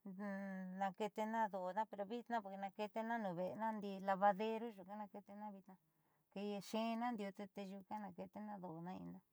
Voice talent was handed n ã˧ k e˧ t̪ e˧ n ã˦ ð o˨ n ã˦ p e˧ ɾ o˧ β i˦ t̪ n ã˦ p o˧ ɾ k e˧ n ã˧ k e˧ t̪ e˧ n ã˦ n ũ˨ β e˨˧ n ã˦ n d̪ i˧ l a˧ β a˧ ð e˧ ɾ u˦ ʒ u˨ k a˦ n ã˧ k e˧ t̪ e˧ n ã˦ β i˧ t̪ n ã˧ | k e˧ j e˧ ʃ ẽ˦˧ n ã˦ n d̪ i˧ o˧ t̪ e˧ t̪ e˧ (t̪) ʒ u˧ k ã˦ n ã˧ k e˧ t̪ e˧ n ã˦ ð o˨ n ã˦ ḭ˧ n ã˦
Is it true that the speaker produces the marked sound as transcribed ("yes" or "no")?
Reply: no